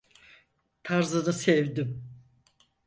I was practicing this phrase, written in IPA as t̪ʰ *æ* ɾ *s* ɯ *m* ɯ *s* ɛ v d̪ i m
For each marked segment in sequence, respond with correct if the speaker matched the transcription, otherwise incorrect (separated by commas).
incorrect, incorrect, incorrect, correct